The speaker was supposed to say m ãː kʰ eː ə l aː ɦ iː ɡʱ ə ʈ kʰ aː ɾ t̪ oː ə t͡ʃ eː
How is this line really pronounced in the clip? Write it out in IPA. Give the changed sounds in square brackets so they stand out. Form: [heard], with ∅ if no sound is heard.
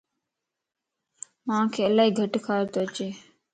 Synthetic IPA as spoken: m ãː kʰ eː ə l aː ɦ iː ɡʱ ə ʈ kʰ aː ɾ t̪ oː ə t͡ʃ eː